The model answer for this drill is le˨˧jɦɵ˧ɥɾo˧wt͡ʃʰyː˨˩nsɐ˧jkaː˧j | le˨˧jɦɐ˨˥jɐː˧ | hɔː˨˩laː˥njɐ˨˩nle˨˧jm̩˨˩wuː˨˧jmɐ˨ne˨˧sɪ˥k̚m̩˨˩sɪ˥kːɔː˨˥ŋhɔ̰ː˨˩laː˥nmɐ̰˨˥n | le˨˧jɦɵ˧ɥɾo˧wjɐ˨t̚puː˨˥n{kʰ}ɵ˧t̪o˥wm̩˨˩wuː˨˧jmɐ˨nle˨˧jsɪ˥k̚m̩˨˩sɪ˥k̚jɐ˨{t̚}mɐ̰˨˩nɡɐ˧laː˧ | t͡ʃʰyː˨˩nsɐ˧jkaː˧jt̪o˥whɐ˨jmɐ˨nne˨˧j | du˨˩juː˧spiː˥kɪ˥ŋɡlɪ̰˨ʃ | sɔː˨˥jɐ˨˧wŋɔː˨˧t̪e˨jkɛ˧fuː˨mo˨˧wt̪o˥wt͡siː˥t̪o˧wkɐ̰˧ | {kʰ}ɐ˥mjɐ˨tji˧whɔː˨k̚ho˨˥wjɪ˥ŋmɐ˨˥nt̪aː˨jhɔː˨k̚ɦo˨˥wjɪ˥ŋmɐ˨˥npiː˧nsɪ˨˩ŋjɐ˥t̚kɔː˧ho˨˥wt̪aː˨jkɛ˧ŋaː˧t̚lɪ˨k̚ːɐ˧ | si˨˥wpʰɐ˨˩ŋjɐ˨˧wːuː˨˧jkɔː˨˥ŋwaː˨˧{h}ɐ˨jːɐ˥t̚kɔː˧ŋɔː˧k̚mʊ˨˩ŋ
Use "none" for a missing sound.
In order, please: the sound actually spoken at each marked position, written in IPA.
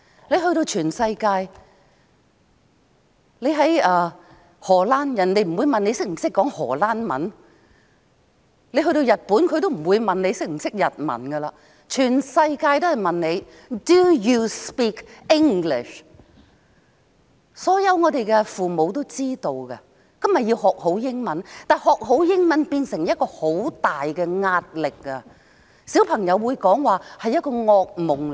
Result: kʰ, t̚, k, h

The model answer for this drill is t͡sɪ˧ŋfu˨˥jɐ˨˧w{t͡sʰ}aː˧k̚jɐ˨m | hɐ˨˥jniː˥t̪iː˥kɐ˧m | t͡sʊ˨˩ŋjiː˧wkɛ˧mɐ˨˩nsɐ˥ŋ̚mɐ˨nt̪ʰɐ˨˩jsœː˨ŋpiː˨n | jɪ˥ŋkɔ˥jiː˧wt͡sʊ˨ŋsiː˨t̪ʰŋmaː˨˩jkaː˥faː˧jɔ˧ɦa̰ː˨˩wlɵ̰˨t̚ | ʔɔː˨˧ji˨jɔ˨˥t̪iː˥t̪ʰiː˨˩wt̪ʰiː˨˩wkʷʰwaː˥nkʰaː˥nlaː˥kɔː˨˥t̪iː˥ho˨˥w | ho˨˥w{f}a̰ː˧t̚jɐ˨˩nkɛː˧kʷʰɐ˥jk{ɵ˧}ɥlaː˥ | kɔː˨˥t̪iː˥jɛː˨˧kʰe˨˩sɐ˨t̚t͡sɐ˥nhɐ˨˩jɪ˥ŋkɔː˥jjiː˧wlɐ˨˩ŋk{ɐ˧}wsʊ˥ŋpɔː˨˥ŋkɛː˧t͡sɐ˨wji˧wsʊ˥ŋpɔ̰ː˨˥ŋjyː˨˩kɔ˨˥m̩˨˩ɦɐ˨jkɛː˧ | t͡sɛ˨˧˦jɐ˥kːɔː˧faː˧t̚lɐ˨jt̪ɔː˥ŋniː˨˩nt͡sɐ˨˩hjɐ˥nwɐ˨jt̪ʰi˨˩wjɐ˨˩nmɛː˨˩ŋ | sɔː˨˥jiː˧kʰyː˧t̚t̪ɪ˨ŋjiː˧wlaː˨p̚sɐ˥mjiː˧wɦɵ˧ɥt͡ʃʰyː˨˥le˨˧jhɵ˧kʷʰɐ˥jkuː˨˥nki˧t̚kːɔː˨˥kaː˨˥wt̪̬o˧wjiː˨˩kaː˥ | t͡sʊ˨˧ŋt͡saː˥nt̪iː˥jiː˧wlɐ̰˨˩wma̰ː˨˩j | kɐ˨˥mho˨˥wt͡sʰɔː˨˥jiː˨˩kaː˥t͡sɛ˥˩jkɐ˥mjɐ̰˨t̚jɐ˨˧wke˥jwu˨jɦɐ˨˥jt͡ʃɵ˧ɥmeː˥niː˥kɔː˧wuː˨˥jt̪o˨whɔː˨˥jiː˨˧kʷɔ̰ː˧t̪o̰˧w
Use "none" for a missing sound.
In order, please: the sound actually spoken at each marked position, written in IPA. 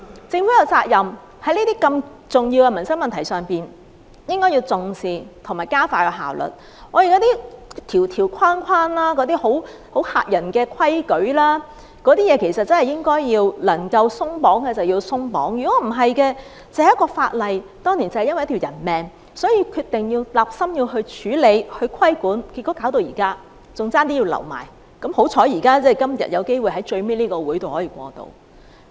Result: t͡s, h, ɵ˨˥, ɐ˧

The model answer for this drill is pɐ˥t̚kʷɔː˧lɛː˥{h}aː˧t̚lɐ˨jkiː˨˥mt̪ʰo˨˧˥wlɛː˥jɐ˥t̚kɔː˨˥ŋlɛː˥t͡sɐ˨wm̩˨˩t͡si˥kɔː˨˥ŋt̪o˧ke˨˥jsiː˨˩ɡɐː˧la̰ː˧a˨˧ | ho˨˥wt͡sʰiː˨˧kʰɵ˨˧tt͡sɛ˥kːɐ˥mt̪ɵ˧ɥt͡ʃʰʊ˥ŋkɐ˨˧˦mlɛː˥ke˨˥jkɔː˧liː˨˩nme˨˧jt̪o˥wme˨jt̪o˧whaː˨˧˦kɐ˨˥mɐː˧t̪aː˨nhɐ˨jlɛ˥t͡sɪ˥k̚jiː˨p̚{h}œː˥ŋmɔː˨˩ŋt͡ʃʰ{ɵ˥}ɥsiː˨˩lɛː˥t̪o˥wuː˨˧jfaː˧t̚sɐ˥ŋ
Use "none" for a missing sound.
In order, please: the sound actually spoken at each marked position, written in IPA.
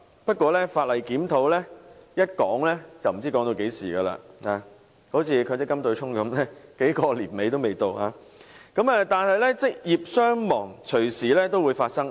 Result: f, s, ɵ˨˩

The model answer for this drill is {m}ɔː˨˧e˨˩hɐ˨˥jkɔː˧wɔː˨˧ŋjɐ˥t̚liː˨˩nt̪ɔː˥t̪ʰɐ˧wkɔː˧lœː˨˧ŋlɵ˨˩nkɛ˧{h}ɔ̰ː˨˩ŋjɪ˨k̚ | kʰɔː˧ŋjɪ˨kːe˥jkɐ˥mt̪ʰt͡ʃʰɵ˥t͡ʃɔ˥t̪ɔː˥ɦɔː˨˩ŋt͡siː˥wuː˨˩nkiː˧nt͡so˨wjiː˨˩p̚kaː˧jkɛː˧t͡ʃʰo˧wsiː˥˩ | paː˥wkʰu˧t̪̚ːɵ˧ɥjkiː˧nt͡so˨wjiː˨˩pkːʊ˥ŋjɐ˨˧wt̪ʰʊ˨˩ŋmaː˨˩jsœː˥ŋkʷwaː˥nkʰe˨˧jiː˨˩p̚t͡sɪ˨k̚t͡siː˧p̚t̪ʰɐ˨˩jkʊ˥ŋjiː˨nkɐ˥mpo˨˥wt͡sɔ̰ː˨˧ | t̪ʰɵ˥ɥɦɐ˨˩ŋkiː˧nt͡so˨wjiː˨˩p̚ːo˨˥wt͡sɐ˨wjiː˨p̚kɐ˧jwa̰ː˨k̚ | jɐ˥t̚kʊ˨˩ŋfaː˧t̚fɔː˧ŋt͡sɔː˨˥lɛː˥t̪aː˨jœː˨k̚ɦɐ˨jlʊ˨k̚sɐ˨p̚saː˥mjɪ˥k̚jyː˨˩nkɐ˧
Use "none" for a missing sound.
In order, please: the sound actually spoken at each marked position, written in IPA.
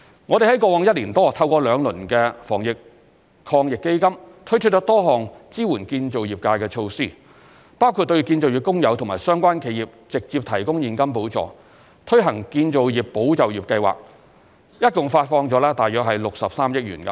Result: ŋ, f

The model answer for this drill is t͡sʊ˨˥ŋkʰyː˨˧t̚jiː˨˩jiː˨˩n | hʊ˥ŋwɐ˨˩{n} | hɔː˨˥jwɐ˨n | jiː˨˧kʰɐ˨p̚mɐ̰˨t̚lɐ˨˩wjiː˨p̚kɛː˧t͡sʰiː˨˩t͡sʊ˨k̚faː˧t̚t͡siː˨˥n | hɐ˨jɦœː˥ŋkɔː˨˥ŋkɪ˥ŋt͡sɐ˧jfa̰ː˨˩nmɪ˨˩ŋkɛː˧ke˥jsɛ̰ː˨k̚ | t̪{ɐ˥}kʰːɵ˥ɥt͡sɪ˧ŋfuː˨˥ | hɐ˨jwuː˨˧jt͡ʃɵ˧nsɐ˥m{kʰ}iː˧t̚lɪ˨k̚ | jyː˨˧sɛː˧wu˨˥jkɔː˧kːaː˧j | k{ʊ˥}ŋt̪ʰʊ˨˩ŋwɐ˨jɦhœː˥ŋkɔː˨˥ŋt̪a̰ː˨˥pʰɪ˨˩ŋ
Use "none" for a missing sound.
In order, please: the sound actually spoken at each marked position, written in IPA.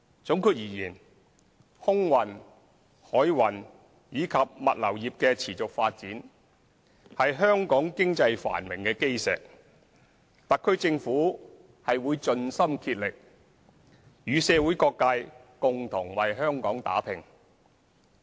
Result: n, ɐ˨, kʰ, ʊ˨

